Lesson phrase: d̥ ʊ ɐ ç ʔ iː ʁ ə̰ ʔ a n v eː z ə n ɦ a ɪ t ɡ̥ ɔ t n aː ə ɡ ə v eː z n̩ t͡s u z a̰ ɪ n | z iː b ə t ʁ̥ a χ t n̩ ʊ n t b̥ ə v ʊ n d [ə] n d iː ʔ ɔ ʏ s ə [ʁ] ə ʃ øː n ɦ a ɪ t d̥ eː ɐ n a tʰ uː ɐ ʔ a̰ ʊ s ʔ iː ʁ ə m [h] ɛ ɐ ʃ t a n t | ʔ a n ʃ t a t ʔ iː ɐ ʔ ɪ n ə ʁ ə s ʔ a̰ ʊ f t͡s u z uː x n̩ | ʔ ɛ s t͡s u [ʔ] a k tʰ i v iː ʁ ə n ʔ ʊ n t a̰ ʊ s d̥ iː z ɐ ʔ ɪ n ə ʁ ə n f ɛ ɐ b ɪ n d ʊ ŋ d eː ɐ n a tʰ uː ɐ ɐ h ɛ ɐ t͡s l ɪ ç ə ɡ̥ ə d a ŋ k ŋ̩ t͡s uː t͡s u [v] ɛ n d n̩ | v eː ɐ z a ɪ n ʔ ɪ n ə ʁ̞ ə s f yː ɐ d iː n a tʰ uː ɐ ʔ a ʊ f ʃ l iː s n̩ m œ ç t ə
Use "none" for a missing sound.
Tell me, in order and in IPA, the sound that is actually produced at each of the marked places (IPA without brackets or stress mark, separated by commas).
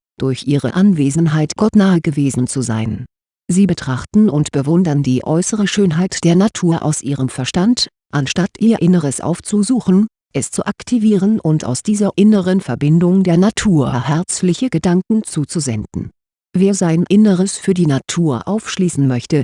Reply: ɐ, ʁ, f, ʔ, z